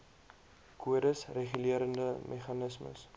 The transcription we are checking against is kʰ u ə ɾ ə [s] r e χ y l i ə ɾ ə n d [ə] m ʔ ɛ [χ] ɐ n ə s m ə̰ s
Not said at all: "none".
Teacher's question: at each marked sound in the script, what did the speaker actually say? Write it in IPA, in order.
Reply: s, ə, χ

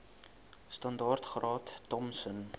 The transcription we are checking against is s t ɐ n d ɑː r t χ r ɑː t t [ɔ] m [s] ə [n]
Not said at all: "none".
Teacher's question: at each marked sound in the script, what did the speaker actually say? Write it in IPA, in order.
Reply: ɔ, s, n

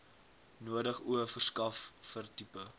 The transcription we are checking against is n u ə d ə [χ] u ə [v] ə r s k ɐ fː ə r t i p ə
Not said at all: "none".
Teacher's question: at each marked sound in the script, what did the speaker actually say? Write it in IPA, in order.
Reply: χ, f

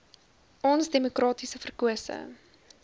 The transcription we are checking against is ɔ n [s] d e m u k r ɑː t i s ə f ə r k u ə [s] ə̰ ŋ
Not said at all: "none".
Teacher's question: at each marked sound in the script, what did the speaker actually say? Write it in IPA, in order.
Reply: s, s

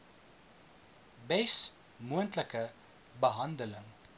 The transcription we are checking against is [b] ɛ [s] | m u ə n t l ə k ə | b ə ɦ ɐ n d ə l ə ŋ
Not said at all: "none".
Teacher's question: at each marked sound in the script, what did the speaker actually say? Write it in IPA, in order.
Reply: b, s

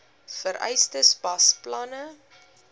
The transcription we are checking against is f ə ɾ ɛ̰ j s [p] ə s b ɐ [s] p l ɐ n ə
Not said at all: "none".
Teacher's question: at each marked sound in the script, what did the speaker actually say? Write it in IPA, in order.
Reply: t, s

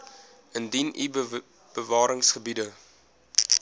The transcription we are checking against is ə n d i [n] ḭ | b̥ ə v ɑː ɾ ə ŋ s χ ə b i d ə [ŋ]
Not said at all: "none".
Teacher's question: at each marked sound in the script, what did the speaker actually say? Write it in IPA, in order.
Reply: n, none

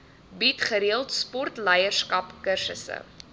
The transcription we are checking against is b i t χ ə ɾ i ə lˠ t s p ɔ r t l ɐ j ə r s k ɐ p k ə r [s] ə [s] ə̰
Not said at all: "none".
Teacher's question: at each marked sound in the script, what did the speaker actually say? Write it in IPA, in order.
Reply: s, s

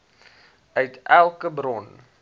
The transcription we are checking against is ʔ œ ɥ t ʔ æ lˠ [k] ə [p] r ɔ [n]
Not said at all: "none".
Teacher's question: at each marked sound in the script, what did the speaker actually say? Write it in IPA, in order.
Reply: k, b, n

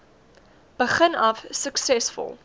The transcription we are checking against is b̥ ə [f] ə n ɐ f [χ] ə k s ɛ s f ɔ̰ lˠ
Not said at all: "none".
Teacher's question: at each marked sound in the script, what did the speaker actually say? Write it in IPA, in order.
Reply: χ, s

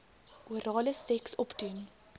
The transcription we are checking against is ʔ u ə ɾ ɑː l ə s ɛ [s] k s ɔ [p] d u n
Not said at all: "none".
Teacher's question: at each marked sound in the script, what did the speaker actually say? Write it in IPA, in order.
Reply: none, p

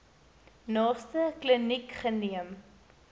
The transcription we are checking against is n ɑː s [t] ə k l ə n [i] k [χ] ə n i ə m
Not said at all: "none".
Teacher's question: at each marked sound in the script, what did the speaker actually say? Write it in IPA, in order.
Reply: t, i, χ

